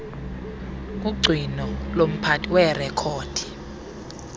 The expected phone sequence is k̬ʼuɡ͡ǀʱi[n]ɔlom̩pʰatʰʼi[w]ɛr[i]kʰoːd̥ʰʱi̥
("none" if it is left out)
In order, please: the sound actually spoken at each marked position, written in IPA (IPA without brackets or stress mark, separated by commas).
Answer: n, w, ɛ